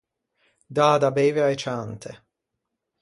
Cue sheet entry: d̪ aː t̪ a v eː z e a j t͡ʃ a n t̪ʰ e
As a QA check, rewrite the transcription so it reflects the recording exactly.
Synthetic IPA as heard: d̪ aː d̪ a b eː v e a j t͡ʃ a n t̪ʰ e